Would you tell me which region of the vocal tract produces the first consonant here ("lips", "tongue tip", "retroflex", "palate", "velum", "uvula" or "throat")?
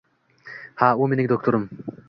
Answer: throat